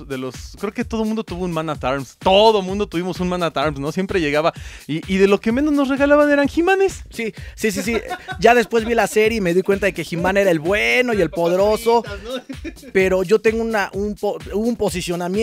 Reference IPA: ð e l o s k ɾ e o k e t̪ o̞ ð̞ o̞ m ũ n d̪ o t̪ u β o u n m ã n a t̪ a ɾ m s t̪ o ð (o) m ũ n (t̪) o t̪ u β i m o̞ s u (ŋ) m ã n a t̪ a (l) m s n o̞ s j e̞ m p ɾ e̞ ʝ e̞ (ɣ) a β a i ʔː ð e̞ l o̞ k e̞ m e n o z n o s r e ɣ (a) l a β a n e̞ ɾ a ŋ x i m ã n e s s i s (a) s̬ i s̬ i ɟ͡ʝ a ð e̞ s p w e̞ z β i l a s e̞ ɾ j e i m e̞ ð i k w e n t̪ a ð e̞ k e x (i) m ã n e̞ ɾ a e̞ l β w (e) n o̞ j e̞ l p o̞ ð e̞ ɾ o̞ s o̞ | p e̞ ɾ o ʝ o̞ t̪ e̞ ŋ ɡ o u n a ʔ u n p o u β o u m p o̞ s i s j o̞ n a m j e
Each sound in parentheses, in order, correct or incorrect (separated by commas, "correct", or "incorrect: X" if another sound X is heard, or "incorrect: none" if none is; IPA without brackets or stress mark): correct, incorrect: d̪, incorrect: n, incorrect: ɾ, correct, correct, incorrect: i, correct, correct